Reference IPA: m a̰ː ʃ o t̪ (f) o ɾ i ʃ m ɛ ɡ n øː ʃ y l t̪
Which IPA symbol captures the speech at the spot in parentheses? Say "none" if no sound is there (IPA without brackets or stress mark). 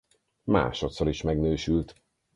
s